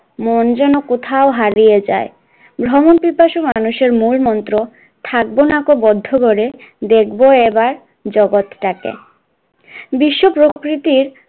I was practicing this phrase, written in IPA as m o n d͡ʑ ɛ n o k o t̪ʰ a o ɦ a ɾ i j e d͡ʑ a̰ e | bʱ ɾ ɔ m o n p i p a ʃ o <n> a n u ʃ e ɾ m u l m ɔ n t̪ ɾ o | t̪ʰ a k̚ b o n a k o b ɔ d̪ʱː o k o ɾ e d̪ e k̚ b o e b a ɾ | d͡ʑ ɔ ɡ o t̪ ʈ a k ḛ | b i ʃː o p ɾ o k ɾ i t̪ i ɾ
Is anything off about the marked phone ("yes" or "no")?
yes